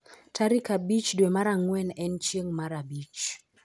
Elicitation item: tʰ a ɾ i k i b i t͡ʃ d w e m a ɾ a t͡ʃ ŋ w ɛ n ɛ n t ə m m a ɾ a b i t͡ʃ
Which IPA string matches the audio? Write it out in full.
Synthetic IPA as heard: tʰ a ɾ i k a b i t͡ʃ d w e m a ɾ a ŋ w ɛ n ɛ n t͡ʃ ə ŋ m a ɾ a b i t͡ʃ